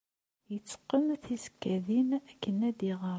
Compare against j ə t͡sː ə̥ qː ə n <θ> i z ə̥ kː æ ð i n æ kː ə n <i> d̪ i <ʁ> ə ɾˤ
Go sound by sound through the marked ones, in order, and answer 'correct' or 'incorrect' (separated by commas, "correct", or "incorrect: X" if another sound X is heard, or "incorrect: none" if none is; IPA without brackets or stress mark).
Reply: correct, incorrect: æ, correct